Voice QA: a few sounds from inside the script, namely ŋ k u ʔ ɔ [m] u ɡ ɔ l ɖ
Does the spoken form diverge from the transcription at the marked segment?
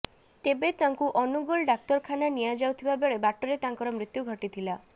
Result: yes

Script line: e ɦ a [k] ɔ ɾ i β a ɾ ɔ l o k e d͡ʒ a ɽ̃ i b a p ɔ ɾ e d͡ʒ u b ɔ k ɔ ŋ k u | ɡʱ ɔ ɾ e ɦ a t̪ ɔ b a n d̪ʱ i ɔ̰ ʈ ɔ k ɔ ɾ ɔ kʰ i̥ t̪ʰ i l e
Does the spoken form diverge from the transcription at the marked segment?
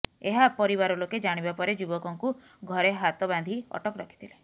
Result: yes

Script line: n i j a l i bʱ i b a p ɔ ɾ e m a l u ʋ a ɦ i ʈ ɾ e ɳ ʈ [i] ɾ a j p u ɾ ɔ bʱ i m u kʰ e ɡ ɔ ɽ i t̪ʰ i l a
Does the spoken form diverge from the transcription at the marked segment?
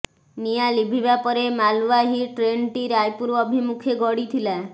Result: no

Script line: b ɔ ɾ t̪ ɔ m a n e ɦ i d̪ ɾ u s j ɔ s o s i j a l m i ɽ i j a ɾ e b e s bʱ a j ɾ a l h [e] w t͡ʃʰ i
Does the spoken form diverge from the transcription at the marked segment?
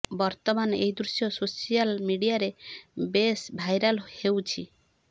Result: no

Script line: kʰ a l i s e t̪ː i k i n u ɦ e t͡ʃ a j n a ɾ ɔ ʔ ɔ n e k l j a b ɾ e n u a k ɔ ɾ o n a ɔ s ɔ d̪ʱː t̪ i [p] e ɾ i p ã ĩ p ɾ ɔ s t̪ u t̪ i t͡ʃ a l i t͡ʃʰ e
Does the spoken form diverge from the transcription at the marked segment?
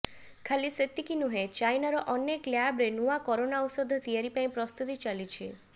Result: yes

